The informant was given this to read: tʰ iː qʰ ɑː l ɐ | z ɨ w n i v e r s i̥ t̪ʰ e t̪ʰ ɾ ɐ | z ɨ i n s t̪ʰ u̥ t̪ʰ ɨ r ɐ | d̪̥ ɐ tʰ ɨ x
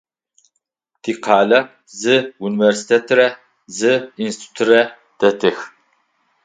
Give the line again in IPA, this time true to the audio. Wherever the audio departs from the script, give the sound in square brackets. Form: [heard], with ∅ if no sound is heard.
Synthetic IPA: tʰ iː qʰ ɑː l ɐ | z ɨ [u] n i v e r s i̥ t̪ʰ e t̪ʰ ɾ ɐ | z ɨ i n s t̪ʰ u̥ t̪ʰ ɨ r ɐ | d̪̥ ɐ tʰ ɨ x